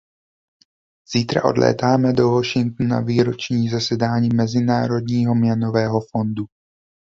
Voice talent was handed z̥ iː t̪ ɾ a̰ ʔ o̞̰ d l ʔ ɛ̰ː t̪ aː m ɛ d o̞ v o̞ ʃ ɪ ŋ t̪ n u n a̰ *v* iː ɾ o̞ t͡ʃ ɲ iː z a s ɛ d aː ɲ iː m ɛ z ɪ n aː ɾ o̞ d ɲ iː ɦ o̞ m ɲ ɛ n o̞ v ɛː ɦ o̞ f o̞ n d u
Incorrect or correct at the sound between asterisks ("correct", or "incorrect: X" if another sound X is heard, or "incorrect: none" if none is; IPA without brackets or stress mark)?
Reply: correct